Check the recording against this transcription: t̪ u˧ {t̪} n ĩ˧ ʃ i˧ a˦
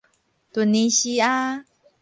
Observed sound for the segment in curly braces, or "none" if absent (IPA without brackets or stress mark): none